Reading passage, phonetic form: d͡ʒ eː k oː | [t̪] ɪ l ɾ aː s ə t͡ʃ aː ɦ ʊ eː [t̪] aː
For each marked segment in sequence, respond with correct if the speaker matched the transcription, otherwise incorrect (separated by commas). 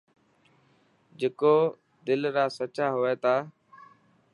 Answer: incorrect, correct